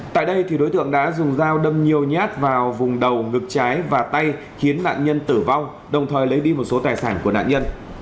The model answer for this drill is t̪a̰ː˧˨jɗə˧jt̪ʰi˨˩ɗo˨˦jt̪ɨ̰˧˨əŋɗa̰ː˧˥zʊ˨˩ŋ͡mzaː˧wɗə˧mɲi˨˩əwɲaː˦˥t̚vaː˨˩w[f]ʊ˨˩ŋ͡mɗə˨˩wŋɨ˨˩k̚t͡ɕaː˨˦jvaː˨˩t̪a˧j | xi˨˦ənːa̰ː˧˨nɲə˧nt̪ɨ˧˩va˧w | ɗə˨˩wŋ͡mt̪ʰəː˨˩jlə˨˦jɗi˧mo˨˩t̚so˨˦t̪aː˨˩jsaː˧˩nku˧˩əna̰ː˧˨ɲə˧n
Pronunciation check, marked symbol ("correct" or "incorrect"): incorrect